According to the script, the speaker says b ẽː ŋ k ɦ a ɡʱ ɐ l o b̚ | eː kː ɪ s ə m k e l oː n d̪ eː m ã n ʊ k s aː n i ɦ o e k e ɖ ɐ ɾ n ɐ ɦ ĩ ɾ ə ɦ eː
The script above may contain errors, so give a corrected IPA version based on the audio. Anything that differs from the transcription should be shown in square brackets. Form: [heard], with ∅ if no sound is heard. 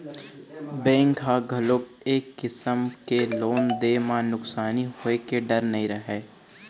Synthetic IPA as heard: b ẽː ŋ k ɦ a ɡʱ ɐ l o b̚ | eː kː ɪ s ə m k e l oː n d̪ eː m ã n ʊ k s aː n i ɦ o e k e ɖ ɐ ɾ n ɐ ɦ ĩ ɾ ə ɦ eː